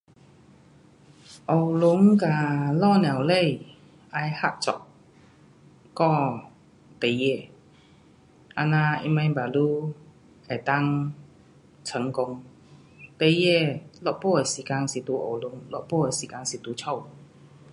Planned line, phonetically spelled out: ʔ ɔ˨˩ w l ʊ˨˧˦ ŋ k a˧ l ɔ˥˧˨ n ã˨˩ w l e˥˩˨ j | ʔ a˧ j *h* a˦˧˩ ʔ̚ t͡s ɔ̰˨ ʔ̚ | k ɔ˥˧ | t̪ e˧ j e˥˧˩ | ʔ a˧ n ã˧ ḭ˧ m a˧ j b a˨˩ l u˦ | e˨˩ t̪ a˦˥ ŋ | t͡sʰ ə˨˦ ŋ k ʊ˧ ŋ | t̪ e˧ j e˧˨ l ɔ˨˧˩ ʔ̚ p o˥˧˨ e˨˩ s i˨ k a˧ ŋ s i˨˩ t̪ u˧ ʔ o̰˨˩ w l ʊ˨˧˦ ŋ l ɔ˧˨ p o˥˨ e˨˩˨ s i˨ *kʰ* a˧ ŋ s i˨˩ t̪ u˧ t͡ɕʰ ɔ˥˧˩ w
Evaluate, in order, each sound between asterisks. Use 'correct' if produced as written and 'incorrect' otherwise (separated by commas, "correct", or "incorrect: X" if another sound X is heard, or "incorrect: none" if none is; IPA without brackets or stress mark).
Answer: correct, incorrect: k